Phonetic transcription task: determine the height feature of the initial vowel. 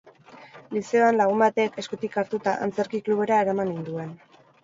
high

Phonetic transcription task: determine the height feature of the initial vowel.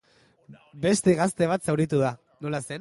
mid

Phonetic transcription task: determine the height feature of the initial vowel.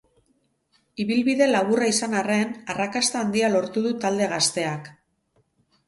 high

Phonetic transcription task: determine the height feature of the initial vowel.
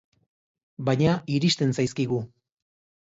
low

